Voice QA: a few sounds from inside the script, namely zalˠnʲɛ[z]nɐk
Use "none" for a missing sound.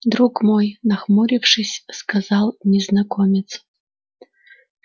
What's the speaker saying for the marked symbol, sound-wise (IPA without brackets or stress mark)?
z